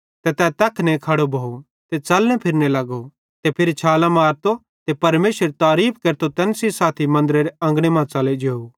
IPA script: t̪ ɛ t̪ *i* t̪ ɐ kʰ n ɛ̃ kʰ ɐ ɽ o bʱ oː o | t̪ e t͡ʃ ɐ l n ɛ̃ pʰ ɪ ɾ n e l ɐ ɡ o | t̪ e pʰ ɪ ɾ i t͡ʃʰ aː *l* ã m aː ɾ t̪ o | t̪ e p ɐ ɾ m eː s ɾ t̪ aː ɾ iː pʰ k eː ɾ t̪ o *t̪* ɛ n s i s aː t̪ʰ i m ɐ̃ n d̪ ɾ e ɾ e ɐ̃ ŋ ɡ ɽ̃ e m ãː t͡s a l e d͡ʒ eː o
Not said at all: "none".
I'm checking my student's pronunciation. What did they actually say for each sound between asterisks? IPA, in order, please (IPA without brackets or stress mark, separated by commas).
ɛ, l, t̪